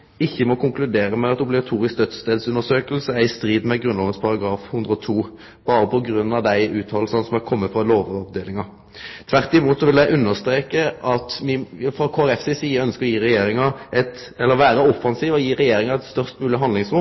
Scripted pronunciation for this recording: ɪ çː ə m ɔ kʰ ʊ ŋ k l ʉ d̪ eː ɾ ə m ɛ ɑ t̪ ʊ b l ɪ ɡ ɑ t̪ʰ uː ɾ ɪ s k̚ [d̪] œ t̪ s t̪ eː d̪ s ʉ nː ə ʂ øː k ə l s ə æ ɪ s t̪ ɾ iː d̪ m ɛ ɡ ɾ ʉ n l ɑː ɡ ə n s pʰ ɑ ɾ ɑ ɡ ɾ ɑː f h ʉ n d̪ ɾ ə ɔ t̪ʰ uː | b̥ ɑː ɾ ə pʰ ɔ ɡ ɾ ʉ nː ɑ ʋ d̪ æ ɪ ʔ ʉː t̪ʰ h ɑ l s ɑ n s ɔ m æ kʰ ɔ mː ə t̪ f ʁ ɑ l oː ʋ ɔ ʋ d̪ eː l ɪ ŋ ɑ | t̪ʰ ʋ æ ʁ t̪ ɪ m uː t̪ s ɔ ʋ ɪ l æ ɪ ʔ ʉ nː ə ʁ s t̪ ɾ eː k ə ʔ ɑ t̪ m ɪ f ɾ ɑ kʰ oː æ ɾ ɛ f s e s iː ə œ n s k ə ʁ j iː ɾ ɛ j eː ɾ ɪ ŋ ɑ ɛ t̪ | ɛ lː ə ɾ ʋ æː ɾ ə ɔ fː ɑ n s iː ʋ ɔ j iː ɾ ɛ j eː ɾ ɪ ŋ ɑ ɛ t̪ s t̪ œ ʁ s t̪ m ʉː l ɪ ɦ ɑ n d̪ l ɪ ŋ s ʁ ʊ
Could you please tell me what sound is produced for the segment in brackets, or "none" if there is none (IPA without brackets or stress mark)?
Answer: d̪